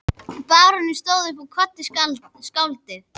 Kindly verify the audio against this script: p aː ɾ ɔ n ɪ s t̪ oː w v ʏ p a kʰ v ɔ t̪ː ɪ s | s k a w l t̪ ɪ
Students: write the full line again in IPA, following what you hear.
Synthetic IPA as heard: p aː ɾ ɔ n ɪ s t̪ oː w ð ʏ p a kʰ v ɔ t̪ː ɪ s | s k a w l t̪ ɪ

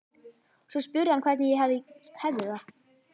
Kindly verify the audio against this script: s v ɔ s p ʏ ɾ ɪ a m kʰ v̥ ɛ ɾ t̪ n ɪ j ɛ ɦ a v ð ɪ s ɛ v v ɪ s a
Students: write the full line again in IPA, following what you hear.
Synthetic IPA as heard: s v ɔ s p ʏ ɾ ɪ a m kʰ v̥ ɛ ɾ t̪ n ɪ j ɛ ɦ a v ð ɪ h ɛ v ð ɪ θ a

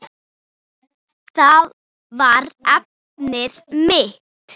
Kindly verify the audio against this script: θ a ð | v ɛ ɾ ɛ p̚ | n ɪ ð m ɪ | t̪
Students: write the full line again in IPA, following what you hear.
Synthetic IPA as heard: θ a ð | v a ɾ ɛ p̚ | n ɪ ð m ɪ | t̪

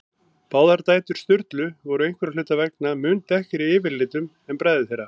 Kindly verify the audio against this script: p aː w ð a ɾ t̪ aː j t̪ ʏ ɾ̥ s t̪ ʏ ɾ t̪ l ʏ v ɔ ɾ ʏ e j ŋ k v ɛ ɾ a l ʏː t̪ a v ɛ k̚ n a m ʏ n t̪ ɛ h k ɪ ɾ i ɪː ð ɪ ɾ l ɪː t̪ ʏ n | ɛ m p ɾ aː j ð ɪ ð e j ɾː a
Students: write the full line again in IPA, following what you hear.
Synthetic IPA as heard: p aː w ð a ɾ t̪ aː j t̪ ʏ ɾ̥ s t̪ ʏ ɾ t̪ l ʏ v ɔ ɾ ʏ e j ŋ k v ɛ ɾ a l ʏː t̪ a v ɛ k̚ n a m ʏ n t̪ ɛ h c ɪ ɾ i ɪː v ɪ ɾ l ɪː t̪ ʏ m | ɛ m p ɾ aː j ð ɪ θ e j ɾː a

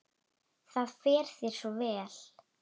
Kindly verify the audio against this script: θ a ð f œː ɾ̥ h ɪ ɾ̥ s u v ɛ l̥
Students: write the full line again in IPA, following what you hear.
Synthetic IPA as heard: θ a ð f ɛː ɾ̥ θ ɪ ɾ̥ s ɔ v ɛː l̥

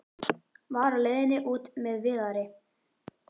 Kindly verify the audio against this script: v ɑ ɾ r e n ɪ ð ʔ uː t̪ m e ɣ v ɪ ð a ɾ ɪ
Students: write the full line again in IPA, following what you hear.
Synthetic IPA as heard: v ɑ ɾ l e n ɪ ʔ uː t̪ m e ð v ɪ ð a ɾ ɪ

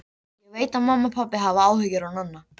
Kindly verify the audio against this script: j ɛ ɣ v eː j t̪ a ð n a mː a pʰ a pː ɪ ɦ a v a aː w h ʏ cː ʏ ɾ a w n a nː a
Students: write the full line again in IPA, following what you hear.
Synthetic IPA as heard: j ɛ ɣ v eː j t̪ a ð m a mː a pʰ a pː ɪ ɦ a v a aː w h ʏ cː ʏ ɾ a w n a nː a

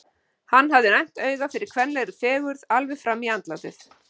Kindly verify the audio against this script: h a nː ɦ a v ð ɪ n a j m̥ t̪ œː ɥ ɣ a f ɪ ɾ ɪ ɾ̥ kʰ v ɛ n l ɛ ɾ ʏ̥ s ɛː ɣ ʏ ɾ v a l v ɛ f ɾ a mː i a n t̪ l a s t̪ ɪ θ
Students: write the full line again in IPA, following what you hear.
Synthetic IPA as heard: h a nː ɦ a v ð ɪ n a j m̥ t̪ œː ɥ ɣ a f ɪ ɾ ɪ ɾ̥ kʰ v ɛ n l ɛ ɾ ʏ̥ f ɛː ɣ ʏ ɾ ð a l v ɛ f ɾ a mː i a n t̪ l a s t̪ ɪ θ

